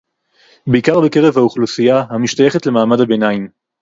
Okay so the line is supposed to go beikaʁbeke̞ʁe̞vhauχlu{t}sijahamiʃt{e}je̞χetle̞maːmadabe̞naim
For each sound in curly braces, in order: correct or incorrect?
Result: incorrect: none, incorrect: a

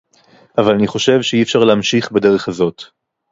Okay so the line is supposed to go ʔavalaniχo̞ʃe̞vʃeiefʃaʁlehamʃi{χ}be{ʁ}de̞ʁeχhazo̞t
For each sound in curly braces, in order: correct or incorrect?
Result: correct, incorrect: none

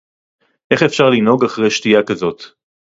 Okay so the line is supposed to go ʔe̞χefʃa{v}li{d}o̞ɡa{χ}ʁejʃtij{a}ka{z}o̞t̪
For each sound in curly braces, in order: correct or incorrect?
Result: incorrect: ʁ, incorrect: n, correct, correct, correct

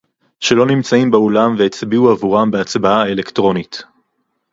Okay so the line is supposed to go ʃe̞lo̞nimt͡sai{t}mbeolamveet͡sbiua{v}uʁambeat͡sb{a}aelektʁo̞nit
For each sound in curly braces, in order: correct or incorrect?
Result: incorrect: none, correct, correct

